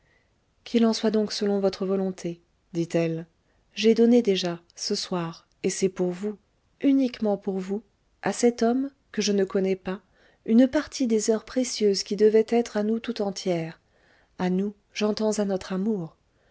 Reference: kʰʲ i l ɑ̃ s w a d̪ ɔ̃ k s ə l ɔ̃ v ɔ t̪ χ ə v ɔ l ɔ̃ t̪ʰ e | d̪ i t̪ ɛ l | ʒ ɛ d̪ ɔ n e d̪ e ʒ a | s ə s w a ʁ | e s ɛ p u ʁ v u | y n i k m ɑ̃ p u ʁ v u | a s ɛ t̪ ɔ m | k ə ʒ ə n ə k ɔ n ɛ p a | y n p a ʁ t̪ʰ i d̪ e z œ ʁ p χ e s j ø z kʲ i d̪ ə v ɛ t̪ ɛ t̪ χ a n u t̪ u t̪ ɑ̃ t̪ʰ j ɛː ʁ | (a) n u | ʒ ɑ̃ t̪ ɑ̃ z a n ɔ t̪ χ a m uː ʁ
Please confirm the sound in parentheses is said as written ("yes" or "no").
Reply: yes